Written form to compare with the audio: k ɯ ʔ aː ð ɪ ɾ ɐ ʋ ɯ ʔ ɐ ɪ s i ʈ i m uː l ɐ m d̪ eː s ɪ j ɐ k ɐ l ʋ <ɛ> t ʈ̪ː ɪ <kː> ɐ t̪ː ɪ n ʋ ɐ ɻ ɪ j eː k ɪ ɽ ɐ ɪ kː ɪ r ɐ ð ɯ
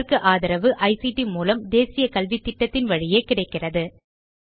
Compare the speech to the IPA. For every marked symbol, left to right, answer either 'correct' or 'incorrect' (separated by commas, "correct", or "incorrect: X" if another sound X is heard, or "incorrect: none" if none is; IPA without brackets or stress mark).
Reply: incorrect: i, incorrect: ʈː